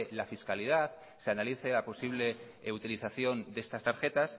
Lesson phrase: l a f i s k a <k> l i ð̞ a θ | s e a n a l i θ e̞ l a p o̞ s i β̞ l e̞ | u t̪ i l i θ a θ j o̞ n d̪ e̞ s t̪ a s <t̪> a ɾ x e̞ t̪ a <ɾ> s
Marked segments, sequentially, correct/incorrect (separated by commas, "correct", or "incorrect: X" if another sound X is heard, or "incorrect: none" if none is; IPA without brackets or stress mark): incorrect: none, correct, incorrect: none